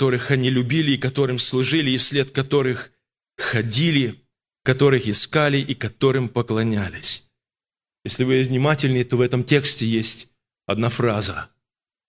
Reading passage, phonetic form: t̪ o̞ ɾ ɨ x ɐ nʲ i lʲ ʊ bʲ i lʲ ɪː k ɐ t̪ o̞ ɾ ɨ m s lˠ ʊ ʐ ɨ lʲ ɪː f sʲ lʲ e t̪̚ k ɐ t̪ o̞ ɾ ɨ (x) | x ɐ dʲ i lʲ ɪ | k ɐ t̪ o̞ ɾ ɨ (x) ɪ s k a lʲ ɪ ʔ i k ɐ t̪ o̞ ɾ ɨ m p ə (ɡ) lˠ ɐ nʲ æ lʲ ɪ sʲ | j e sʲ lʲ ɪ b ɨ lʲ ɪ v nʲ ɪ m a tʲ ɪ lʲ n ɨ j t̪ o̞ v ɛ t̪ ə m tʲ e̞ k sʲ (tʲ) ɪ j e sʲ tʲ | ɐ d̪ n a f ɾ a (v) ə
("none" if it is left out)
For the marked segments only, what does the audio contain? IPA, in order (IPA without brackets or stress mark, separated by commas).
x, x, k, tʲ, z